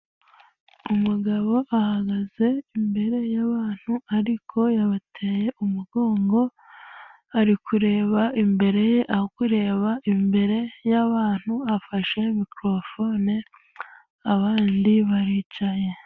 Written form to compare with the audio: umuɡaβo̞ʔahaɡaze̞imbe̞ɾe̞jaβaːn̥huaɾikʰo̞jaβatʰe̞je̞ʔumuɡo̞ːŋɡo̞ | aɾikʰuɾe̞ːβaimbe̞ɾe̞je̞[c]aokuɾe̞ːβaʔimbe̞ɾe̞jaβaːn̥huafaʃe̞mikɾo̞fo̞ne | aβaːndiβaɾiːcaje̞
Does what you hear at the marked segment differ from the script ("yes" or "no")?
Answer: yes